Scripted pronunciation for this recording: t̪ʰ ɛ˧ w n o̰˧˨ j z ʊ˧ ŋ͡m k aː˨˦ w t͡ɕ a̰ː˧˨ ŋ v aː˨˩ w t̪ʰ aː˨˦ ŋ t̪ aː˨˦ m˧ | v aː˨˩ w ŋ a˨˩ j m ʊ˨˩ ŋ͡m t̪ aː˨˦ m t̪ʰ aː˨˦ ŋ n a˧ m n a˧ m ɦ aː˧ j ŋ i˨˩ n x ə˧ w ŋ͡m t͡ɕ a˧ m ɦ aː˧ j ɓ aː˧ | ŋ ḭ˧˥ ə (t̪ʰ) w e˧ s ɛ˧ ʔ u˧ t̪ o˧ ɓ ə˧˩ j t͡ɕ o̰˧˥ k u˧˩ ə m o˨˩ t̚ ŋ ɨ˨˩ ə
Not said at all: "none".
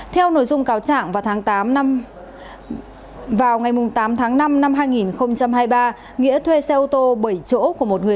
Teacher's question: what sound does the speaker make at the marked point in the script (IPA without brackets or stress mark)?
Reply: t̪ʰ